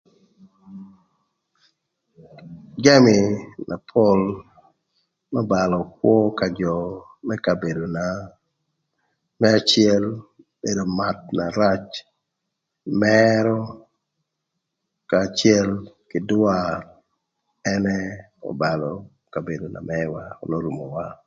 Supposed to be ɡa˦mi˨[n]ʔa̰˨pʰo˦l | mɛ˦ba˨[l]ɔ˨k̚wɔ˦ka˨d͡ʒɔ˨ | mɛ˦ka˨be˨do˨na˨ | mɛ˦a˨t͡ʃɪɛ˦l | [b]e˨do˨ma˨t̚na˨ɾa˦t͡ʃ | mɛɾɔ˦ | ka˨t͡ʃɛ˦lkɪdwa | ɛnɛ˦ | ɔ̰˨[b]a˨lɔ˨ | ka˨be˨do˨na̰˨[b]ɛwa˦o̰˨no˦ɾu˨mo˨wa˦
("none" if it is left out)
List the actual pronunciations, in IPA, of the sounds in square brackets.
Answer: n, l, b, b, m

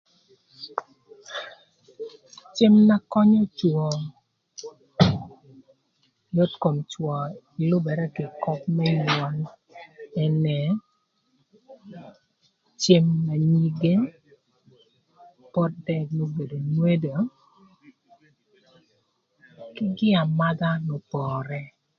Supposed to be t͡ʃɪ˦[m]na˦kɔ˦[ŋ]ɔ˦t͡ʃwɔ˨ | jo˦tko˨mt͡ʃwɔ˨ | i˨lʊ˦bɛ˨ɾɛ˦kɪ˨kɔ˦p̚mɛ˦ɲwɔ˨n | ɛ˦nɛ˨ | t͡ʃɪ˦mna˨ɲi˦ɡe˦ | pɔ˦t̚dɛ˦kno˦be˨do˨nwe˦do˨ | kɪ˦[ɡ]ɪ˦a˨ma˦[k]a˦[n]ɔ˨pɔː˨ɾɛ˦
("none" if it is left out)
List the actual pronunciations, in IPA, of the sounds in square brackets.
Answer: m, ɲ, ɡ, ɡ, n

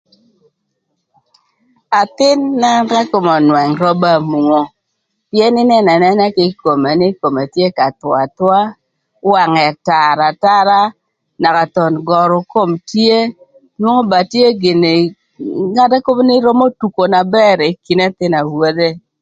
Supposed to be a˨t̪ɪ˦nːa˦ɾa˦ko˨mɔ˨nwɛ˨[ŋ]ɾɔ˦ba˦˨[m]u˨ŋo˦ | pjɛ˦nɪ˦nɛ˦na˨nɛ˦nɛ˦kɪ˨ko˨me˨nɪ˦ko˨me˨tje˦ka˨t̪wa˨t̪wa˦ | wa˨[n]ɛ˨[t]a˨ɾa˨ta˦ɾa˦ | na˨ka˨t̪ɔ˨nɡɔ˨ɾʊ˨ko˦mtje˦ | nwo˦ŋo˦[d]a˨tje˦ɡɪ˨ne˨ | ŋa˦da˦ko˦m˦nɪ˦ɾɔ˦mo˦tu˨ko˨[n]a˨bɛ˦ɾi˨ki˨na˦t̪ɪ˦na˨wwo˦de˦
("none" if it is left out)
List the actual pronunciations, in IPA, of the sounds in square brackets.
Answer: ŋ, m, ŋ, t, b, n

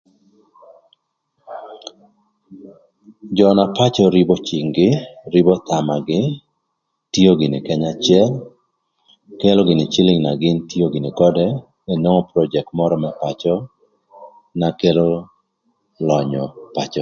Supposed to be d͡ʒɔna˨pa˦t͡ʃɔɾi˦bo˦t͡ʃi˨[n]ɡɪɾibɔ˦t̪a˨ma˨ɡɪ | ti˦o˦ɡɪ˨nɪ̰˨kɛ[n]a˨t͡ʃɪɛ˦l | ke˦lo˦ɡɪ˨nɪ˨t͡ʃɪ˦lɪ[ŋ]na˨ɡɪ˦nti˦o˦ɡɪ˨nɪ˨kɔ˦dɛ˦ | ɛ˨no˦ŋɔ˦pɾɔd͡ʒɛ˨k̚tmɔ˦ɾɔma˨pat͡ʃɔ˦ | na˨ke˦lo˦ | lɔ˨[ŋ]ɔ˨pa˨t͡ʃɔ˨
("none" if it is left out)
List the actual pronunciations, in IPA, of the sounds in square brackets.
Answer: ŋ, ɲ, ŋ, ɲ

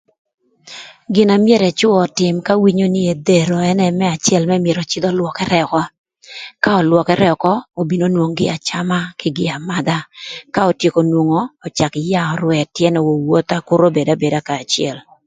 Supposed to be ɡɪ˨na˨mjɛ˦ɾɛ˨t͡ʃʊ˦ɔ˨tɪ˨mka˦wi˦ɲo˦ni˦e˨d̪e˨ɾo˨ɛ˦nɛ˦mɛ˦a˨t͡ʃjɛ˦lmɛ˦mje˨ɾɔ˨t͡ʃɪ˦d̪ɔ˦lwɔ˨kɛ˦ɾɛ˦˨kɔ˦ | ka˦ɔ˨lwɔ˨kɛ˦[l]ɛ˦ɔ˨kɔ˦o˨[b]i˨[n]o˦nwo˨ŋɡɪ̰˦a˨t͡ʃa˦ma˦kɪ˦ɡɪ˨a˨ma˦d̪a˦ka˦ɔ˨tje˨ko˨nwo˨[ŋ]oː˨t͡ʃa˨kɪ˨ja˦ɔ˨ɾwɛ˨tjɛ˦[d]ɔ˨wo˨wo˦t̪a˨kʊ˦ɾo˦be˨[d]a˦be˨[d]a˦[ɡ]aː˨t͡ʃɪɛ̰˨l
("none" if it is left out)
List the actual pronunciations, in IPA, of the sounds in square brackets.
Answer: ɾ, b, n, ŋ, n, d, d, k

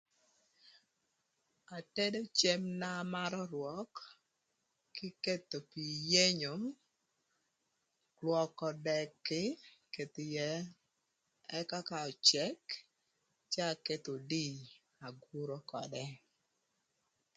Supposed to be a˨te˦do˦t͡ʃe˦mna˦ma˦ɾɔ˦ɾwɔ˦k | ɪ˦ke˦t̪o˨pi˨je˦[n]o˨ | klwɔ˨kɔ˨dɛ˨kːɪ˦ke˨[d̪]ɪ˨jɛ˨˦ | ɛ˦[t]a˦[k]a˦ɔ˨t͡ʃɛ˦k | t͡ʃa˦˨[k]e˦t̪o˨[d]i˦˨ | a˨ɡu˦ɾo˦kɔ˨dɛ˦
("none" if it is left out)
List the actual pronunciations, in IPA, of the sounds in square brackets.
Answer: ɲ, t̪, k, k, k, d

